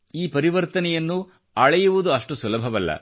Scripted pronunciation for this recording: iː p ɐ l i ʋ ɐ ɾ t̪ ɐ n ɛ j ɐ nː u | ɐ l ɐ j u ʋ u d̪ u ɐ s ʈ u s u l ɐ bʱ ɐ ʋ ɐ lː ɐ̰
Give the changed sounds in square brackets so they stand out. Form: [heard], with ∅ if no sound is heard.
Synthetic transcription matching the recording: iː p ɐ [ɾ] i ʋ ɐ ɾ t̪ ɐ n ɛ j ɐ nː u | ɐ [ɭ] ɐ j u ʋ u d̪ u ɐ [ʂ] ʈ u s u l ɐ bʱ ɐ ʋ ɐ lː ɐ̰